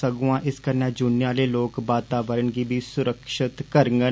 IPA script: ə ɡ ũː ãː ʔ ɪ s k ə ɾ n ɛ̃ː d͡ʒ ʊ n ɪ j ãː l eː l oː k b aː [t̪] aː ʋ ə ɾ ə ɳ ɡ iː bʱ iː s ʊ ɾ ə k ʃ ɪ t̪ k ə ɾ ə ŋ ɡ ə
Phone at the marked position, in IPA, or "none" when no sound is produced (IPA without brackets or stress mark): t̪